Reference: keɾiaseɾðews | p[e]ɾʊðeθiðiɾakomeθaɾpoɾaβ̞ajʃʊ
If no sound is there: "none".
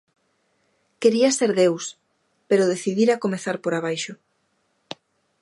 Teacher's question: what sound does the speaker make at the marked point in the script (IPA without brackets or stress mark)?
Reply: e